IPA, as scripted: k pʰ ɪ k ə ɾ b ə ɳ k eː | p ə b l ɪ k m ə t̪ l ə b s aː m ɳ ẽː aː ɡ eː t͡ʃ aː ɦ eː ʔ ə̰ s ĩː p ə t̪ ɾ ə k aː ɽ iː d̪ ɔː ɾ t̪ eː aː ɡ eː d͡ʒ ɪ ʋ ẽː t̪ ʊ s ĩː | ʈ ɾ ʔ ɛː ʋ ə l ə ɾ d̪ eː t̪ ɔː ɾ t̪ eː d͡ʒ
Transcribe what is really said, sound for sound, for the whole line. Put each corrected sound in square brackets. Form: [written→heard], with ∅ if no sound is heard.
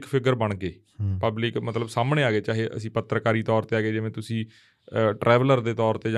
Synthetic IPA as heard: k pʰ ɪ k ə ɾ b ə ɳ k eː | p ə b l ɪ k m ə t̪ l ə b s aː m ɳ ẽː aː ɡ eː t͡ʃ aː ɦ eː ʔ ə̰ s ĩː p ə t̪ ɾ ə k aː [ɽ→ɾ] iː [d̪→t̪] ɔː ɾ t̪ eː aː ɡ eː d͡ʒ ɪ ʋ ẽː t̪ ʊ s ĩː | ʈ ɾ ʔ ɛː ʋ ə l ə ɾ d̪ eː t̪ ɔː ɾ t̪ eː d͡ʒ